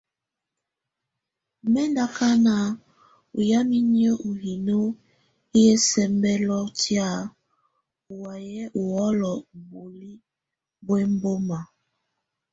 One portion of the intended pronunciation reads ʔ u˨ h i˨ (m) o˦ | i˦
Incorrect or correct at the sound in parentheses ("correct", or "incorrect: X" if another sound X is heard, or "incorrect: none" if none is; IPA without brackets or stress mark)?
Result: incorrect: n